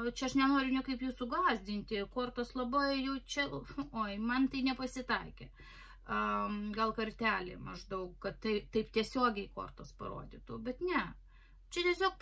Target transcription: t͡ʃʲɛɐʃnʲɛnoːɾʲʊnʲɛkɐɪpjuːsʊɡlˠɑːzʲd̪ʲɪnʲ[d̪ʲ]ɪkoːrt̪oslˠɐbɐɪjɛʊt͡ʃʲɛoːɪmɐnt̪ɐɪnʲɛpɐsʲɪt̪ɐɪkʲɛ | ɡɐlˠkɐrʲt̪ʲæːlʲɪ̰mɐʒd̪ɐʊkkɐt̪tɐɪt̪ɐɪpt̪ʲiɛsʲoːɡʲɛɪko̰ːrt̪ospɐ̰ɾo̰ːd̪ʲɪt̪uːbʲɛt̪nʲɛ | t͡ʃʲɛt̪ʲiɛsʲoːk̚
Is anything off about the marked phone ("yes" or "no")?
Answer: yes